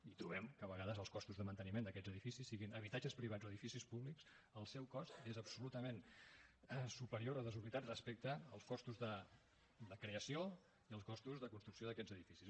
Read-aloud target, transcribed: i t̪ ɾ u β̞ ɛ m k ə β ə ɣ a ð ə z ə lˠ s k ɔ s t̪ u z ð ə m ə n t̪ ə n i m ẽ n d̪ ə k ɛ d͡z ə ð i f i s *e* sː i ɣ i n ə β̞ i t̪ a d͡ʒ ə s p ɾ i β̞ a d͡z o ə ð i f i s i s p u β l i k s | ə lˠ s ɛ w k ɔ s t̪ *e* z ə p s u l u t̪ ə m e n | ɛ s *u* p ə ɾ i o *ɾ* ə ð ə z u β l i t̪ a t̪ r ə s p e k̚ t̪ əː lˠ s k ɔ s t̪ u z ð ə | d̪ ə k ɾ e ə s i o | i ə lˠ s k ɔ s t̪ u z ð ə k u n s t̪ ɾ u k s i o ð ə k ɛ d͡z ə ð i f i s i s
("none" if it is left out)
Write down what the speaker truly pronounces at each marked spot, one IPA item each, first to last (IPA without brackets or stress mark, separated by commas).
i, e, u, ɾ